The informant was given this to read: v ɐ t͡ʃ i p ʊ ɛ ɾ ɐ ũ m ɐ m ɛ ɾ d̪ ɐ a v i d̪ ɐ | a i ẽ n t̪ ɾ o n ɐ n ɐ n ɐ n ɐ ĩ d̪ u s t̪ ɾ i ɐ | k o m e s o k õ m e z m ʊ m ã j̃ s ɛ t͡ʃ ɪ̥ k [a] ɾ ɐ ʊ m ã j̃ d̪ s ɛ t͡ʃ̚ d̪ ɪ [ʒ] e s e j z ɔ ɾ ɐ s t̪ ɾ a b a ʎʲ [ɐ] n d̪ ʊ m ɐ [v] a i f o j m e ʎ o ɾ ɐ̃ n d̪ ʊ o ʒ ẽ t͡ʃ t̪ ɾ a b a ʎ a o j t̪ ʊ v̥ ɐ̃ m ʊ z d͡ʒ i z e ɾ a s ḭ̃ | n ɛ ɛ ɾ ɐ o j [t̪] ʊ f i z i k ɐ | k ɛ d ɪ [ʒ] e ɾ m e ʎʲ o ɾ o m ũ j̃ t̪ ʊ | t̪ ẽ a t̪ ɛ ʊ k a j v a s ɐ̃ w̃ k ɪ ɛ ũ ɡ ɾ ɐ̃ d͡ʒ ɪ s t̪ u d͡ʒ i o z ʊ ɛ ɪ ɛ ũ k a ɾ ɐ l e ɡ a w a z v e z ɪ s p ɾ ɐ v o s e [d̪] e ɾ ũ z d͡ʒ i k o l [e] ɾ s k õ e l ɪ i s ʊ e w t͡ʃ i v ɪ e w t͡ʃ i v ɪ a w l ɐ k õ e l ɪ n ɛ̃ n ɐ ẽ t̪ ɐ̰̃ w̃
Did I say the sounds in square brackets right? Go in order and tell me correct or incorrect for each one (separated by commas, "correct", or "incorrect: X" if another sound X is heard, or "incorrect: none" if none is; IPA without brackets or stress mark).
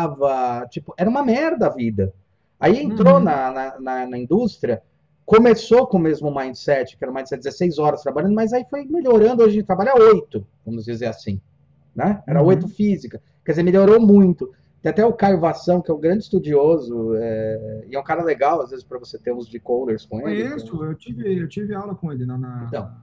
incorrect: ɛ, incorrect: z, incorrect: ɐ̃, incorrect: z, correct, incorrect: z, incorrect: t̪, correct